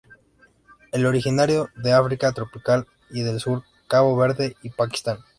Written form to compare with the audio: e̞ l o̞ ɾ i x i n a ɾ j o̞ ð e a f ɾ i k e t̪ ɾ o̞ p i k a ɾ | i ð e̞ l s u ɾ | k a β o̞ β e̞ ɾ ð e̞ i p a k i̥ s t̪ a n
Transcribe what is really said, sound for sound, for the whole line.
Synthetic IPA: e̞ l o̞ ɾ i x i n a ɾ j o̞ ð e a f ɾ i k a t̪ ɾ o̞ p i k a l | i ð e̞ l s u ɾ | k a β o̞ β e̞ ɾ ð e̞ i p a k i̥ s t̪ a n